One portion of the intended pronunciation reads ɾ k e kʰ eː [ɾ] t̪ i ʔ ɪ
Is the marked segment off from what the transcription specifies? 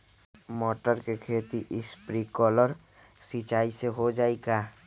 yes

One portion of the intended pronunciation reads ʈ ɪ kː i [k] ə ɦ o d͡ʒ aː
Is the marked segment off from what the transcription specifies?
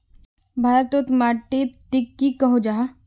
no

